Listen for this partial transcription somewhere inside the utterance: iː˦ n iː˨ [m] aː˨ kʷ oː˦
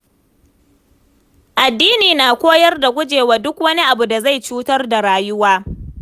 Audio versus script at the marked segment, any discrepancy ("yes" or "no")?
yes